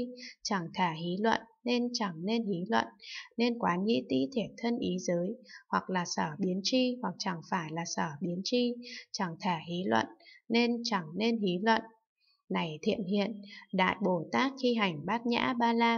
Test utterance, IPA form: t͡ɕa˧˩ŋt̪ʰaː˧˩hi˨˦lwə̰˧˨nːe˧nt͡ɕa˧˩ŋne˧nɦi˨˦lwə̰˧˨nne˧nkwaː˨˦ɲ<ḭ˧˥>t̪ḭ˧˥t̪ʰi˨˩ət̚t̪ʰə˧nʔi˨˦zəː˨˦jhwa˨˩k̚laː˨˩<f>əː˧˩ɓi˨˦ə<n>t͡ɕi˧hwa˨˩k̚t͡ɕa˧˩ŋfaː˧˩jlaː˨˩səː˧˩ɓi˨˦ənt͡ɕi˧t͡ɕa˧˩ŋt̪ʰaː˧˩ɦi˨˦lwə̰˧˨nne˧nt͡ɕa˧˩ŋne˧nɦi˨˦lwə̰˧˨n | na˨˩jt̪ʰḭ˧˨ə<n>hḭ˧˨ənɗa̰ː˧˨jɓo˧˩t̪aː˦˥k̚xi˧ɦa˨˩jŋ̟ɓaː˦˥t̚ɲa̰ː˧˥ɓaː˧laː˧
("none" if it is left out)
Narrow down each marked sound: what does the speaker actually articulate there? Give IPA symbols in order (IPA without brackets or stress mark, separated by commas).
ḭ˧˥, s, n, n